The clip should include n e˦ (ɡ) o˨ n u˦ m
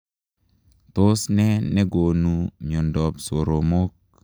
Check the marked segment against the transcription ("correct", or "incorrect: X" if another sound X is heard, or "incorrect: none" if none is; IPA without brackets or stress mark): correct